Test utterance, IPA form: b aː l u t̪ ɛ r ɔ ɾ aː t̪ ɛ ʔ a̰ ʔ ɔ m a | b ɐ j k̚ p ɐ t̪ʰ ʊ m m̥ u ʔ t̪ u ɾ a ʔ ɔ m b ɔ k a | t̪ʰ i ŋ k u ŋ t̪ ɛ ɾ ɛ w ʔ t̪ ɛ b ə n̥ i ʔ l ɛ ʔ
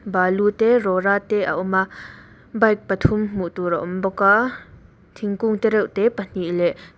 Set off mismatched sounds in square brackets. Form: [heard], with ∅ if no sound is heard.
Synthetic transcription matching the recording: b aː l u t̪ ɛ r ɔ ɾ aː t̪ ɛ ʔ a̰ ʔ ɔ m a | b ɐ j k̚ p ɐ t̪ʰ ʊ m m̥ u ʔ t̪ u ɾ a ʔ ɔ m b ɔ k a | t̪ʰ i ŋ k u ŋ t̪ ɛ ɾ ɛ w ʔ t̪ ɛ [p] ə n̥ i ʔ l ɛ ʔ